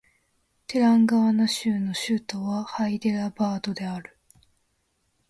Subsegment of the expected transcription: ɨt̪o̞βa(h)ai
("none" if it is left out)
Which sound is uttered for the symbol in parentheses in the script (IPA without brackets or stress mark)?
h